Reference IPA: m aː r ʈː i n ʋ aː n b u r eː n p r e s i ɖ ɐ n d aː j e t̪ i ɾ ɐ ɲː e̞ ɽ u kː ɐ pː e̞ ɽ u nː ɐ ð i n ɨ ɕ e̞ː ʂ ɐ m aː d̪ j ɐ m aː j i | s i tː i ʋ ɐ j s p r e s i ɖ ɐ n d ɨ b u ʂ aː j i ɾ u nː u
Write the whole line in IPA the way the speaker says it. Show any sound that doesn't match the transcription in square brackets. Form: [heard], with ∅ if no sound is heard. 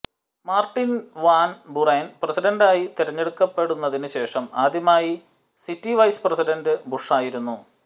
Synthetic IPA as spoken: m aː r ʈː i n ʋ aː n b u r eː n p r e s i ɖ ɐ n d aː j [i] t̪ i ɾ ɐ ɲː e̞ ɽ u kː ɐ pː e̞ ɽ u nː ɐ ð i n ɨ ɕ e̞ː ʂ ɐ m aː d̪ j ɐ m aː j i | s i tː i ʋ ɐ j s p r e s i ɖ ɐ n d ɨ b u ʂ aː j i ɾ u nː u